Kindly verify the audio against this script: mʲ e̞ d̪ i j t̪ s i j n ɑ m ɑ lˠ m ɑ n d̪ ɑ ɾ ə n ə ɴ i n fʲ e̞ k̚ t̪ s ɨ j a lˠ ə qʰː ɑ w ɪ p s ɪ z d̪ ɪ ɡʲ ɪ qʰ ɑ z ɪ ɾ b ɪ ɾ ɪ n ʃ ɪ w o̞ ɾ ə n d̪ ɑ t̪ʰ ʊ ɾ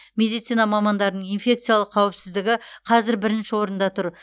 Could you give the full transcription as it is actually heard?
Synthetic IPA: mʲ e̞ d̪ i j t̪ s i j n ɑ m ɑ m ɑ n d̪ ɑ ɾ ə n ə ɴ i n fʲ e̞ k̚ t̪ s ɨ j a lˠ ə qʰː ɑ w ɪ p s ɪ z d̪ ɪ ɡʲ ɪ qʰ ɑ z ɪ ɾ b ɪ ɾ ɪ n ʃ ɪ w o̞ ɾ ə n d̪ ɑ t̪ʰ ʊ ɾ